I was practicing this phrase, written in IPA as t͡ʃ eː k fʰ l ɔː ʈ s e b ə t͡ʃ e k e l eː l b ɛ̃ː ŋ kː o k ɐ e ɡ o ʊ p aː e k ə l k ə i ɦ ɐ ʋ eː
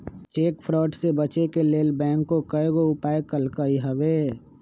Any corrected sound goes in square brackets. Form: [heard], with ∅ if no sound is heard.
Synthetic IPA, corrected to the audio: t͡ʃ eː k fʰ [ɾ] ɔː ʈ s e b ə t͡ʃ e k e l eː l b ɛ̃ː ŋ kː o k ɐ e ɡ o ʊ p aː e k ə l k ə i ɦ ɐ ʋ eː